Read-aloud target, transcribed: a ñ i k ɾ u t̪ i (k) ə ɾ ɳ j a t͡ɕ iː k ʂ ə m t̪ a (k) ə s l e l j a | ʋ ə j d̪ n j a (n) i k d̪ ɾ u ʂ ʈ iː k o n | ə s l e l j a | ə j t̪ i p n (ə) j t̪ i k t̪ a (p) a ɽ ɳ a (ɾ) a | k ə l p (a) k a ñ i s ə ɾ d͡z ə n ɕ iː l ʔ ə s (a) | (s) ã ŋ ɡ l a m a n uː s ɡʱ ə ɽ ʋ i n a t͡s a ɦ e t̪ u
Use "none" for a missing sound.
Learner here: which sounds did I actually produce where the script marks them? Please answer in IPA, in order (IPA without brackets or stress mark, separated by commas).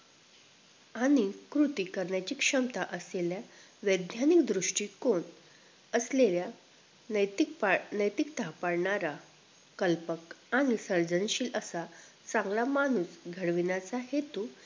k, ʔ, n, ə, p, ɾ, ə, a, t͡s